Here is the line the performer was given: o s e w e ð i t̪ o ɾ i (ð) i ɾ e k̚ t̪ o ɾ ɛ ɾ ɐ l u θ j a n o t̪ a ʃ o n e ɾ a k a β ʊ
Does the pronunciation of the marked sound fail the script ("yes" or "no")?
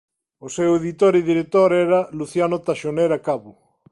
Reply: no